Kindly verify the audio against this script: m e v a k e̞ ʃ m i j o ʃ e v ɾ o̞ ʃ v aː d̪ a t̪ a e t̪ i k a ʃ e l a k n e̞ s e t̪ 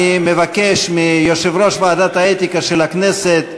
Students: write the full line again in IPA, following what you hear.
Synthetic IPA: m e v a k e̞ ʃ m i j o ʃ e v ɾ o̞ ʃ v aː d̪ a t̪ a e t̪ i k a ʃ e l a k n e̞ s e t̪